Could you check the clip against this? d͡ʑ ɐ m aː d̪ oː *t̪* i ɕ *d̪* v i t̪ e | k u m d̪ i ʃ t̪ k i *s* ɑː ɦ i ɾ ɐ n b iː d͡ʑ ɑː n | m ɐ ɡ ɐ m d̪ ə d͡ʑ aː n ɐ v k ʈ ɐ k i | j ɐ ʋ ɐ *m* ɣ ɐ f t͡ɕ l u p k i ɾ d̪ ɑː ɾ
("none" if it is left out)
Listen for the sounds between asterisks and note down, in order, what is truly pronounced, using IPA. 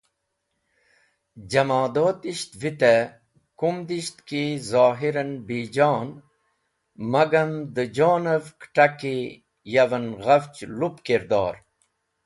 t̪, t̪, z, n

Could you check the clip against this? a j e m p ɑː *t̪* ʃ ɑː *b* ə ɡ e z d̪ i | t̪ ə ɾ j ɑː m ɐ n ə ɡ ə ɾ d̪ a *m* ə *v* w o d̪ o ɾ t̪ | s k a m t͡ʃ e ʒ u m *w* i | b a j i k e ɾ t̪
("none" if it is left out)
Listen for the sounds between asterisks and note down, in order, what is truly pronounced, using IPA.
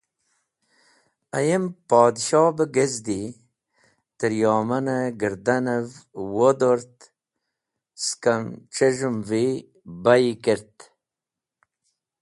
d̪, b, n, v, v

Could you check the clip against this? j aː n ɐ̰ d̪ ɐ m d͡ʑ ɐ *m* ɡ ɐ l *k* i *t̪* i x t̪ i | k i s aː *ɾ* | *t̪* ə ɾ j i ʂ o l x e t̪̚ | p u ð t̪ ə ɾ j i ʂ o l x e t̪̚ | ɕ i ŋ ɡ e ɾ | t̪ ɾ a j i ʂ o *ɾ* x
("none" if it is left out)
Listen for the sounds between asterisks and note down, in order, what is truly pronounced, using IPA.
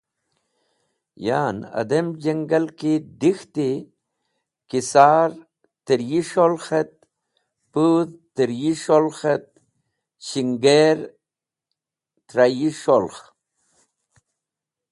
ŋ, k, d̪, ɾ, t̪, l

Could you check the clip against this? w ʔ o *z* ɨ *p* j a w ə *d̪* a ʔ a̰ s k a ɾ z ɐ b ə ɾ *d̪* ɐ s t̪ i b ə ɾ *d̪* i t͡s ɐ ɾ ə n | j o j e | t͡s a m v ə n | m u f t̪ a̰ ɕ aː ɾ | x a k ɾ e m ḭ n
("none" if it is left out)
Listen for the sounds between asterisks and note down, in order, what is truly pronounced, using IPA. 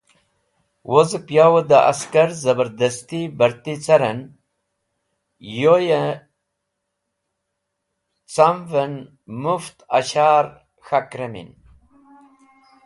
z, p, d̪, d̪, t̪

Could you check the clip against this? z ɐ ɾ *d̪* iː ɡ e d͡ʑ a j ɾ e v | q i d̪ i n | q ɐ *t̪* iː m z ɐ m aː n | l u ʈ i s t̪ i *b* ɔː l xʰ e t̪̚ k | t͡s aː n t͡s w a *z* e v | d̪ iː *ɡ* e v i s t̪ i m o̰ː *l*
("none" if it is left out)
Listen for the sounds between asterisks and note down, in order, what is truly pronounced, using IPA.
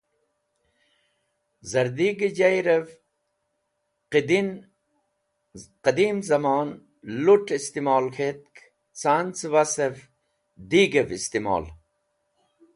d̪, d̪, m, s, ɡ, l

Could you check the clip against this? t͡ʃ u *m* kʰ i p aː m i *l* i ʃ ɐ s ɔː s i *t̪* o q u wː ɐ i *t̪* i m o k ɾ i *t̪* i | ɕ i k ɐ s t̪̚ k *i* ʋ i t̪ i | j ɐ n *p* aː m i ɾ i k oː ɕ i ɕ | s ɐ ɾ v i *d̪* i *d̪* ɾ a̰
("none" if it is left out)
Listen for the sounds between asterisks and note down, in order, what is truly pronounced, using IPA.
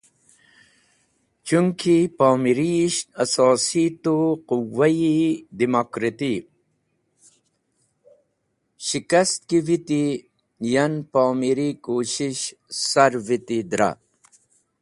ŋ, ɾ, t̪, d̪, t̪, i, p, t̪, d̪

